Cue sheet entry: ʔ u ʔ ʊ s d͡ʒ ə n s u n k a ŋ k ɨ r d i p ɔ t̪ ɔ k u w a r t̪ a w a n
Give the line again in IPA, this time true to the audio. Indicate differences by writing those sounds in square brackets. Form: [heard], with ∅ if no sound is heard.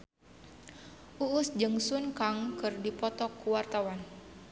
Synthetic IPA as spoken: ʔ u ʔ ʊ s d͡ʒ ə [ŋ] s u n k a ŋ k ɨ r d i p ɔ t̪ ɔ k u w a r t̪ a w a n